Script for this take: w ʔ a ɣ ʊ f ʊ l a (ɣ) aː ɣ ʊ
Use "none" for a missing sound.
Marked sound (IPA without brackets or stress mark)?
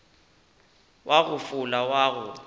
w